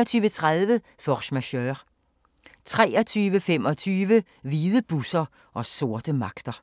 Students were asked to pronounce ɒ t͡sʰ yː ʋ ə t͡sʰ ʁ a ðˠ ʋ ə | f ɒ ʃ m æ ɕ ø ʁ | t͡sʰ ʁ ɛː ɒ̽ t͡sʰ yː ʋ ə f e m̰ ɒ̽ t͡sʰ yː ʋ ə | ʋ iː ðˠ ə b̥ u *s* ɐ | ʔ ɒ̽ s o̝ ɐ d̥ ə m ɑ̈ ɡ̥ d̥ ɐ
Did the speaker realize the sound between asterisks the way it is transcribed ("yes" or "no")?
yes